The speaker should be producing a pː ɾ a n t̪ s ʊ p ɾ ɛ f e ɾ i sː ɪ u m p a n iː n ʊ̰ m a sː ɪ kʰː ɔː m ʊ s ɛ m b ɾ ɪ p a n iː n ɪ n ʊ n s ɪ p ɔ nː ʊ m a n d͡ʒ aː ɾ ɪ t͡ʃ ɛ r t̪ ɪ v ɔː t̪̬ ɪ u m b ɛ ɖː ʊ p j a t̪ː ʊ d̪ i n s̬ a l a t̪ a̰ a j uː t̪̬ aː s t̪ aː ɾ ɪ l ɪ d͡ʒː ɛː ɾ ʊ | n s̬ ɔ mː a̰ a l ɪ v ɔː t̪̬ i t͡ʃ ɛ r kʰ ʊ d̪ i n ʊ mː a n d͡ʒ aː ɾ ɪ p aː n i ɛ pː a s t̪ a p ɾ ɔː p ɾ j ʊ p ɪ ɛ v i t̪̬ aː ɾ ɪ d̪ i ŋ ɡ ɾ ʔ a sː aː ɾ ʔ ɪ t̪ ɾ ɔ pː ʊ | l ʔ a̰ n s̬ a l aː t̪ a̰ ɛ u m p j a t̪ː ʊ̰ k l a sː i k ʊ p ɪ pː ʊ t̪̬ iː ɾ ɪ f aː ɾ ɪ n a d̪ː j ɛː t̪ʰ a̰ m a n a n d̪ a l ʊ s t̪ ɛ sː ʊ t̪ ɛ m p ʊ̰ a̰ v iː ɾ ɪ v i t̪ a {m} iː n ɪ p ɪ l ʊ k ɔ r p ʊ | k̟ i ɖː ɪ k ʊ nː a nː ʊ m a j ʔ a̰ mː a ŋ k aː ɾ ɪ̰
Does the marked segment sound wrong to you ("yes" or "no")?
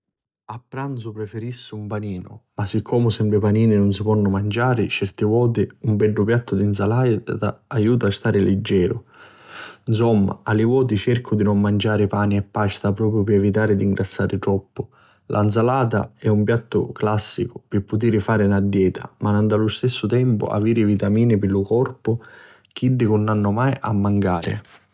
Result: no